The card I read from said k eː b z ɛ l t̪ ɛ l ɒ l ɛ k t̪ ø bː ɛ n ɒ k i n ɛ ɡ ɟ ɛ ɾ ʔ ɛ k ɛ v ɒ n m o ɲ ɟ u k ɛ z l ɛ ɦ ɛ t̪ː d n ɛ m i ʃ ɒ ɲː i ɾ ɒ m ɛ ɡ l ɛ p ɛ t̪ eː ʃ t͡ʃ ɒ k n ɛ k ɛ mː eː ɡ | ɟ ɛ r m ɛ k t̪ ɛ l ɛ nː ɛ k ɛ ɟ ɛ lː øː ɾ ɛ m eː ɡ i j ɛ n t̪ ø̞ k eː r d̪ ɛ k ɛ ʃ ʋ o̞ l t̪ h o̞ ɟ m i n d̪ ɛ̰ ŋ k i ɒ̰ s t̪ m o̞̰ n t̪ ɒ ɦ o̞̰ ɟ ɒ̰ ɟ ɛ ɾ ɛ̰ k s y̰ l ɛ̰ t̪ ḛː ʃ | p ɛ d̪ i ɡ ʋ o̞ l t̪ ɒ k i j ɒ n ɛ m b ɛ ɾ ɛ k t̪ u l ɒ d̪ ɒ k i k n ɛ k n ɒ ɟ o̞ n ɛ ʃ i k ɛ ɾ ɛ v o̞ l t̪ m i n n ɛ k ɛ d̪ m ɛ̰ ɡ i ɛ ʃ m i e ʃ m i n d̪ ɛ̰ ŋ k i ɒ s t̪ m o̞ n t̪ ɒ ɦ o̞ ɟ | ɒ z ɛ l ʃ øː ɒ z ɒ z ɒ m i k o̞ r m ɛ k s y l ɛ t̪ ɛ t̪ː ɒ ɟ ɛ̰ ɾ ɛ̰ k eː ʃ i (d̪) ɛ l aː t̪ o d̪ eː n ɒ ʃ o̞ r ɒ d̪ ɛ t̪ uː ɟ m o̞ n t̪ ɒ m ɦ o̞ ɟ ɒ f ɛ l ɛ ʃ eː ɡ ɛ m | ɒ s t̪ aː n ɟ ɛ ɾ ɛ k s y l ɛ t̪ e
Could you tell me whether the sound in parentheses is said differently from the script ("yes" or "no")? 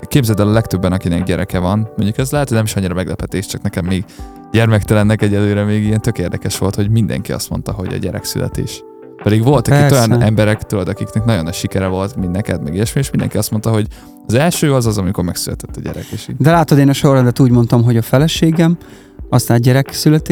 no